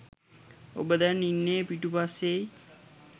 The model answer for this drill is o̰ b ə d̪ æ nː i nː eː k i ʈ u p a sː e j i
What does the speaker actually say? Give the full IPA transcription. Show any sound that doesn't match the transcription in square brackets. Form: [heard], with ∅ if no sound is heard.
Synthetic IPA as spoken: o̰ b ə d̪ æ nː i nː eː [p] i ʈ u p a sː e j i